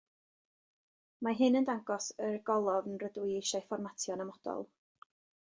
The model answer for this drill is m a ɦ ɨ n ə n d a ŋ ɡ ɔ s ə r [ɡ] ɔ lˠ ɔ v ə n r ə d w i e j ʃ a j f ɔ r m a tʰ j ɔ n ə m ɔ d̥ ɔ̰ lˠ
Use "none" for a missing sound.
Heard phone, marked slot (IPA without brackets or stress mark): ɡ